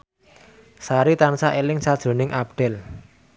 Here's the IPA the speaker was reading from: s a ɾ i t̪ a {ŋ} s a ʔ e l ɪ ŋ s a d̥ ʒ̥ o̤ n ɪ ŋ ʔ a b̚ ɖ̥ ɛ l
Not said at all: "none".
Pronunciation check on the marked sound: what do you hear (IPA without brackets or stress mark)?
n